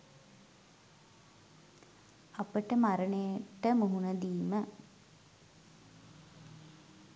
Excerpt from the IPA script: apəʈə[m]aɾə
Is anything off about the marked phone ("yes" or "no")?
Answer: no